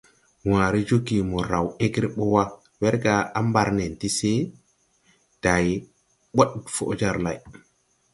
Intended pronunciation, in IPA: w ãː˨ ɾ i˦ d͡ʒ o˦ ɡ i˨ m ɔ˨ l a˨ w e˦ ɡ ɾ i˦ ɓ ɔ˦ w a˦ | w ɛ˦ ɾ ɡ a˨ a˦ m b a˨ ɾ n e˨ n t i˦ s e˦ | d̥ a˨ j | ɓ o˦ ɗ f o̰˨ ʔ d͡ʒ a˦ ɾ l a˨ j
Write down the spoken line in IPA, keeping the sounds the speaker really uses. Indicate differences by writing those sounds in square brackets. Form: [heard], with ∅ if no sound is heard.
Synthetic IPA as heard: w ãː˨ ɾ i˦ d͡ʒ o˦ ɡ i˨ m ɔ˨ [ɾ] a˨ w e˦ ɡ ɾ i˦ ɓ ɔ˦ w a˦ | w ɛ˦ ɾ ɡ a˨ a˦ m b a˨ ɾ n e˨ n t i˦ s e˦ | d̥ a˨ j | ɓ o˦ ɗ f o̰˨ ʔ d͡ʒ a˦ ɾ l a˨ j